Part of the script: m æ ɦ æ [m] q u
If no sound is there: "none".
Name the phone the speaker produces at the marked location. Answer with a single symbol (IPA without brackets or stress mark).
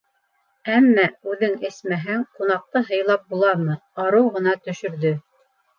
ŋ